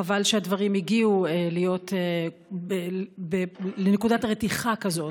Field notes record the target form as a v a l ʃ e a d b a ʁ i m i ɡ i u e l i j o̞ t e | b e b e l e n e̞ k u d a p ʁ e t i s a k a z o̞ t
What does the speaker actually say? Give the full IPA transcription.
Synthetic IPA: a v a l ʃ e a d v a ʁ i m i ɡ i u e l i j o̞ t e | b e b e l e n e̞ k u d a t ʁ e t i χ a k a z o̞ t